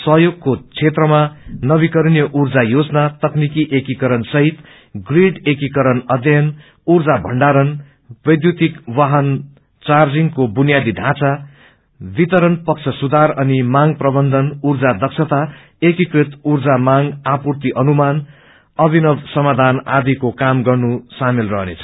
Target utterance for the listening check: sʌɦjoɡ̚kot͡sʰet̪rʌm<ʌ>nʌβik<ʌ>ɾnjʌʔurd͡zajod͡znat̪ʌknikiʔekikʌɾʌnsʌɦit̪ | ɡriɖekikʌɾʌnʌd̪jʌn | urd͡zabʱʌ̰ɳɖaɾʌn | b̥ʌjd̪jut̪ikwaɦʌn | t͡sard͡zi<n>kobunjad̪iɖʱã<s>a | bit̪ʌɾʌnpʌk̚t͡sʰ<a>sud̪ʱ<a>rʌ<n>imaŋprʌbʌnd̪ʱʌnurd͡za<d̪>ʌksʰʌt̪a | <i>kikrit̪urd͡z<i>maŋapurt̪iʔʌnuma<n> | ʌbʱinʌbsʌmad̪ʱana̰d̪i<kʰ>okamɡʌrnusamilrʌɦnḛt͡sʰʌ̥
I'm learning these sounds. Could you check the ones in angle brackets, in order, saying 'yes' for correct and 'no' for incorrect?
no, yes, no, no, no, yes, yes, yes, no, no, yes, no

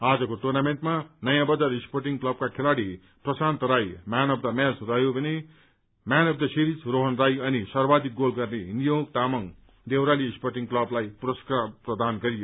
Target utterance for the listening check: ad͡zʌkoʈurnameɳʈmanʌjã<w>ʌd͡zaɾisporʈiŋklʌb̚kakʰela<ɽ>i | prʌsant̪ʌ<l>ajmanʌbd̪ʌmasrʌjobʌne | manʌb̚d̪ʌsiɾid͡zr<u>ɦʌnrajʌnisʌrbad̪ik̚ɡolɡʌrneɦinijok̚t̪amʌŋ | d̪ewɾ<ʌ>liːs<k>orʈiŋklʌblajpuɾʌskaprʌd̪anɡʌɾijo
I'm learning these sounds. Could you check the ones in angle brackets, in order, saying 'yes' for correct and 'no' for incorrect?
no, yes, no, no, no, no

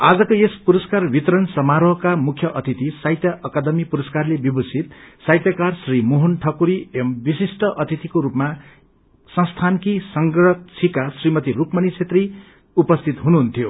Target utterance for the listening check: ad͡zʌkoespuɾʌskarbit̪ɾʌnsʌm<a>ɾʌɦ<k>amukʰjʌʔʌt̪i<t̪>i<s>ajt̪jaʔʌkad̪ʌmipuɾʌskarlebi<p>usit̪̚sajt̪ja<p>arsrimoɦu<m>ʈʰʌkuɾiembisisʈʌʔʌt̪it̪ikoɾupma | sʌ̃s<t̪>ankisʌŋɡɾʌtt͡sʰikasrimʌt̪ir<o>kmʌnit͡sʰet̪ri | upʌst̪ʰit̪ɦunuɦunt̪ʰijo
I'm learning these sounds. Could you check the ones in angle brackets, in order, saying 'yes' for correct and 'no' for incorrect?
yes, yes, yes, yes, no, no, no, no, no

